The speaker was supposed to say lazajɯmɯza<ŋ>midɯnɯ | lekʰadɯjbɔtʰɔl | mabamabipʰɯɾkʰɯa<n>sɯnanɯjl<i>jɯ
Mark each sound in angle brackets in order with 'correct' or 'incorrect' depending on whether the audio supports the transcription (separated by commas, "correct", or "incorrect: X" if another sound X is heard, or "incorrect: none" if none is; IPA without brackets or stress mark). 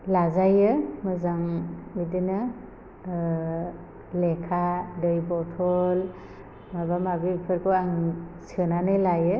correct, incorrect: ŋ, incorrect: a